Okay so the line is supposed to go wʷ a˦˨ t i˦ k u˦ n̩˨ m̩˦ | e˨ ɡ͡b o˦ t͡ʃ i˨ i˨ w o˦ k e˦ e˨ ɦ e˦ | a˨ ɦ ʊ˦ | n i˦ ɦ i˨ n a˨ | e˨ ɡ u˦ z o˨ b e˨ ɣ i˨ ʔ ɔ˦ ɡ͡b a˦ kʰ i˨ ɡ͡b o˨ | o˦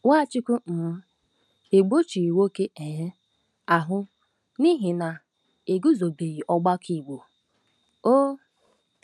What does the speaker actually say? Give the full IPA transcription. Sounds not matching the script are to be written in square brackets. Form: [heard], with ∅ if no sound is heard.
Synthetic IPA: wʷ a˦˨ [t͡ʃ] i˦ k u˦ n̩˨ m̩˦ | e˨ ɡ͡b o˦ t͡ʃ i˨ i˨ w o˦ k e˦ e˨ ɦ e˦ | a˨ ɦ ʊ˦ | n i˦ ɦ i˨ n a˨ | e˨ ɡ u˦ z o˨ b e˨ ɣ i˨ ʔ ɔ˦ ɡ͡b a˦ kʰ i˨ ɡ͡b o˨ | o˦

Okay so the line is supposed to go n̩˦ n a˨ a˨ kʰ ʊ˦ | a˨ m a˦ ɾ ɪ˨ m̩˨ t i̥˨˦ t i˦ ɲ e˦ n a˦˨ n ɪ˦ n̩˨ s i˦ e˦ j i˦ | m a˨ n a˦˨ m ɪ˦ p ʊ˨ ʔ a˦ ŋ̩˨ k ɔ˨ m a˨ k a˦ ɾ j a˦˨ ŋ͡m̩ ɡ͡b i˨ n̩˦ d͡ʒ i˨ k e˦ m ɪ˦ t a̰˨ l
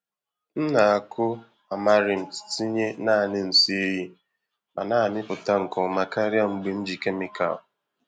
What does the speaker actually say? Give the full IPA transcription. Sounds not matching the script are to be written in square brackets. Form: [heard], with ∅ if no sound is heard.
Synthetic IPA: n̩˦ n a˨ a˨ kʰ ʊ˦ | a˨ m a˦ ɾ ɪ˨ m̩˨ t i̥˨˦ t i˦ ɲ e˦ n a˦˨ n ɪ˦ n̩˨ s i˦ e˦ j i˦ | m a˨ n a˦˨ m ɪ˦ p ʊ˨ [t] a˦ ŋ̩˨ k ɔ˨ m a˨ k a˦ ɾ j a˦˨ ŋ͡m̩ ɡ͡b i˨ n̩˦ d͡ʒ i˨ k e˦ m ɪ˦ [k] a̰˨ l

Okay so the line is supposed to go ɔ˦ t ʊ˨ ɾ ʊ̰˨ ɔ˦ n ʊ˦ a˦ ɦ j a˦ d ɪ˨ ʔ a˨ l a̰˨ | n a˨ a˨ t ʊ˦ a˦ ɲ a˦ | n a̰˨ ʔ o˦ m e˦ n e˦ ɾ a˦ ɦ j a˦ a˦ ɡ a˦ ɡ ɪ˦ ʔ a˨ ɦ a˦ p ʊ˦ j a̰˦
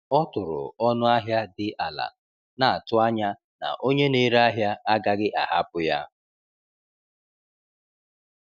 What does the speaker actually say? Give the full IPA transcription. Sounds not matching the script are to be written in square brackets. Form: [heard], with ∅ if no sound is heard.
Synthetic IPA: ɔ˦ t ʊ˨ ɾ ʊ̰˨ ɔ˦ n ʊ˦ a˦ ɦ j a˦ d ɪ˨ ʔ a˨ l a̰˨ | n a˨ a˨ t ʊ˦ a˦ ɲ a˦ | n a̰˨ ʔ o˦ [ɲ] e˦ n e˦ ɾ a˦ ɦ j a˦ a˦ ɡ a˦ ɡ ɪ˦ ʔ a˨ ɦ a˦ p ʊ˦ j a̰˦

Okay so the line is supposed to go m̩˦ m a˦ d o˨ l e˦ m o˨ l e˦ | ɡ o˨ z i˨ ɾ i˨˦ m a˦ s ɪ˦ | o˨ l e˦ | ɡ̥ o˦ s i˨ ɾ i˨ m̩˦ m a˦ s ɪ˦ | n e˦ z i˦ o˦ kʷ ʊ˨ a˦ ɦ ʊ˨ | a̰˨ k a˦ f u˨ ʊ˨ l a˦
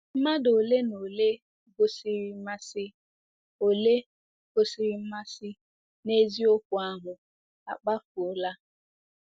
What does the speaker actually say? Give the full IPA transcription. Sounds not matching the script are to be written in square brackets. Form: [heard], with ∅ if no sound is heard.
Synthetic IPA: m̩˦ m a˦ d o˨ l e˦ [n] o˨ l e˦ | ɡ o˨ [s] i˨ ɾ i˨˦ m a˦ s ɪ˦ | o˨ l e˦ | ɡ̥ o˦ s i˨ ɾ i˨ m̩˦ m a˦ s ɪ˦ | n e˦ z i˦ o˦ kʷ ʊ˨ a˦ ɦ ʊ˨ | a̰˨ [k͡p] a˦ f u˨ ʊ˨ l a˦

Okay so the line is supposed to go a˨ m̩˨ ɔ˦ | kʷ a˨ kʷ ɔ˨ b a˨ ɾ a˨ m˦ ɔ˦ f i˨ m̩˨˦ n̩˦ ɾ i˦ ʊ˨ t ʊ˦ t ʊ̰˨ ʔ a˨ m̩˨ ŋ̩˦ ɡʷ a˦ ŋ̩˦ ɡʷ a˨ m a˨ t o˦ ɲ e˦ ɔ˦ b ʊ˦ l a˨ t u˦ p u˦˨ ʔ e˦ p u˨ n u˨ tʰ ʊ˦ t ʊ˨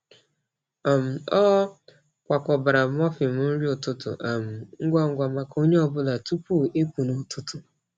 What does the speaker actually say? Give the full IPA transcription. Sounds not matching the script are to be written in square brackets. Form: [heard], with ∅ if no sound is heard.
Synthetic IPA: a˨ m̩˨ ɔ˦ | kʷ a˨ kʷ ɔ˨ b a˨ ɾ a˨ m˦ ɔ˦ f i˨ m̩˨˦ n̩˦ ɾ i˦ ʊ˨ t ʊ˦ t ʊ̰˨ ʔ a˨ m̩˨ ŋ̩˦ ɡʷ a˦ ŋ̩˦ ɡʷ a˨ m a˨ [k] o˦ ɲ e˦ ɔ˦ b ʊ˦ l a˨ t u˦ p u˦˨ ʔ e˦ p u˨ n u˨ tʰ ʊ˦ t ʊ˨

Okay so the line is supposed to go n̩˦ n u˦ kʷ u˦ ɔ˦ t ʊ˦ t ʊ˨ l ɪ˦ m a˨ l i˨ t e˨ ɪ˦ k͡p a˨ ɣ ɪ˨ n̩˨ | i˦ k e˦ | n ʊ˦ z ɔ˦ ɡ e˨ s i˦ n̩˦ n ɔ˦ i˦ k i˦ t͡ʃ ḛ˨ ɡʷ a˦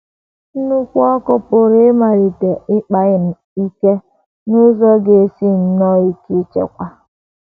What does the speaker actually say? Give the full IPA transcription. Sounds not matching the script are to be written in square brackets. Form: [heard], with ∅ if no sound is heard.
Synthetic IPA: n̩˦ n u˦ kʷ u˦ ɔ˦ [k] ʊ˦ [p] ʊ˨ [ɾ] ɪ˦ m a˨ [ɾ] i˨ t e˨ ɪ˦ k͡p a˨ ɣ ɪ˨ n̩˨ | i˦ k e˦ | n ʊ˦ z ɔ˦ ɡ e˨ s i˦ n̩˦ n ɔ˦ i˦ k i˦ t͡ʃ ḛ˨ [kʷ] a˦

